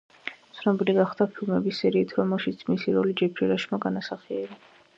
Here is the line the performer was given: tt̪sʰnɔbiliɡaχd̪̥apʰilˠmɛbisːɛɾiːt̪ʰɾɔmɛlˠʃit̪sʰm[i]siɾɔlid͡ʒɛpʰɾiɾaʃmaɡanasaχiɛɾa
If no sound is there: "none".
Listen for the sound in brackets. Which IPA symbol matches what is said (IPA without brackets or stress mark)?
i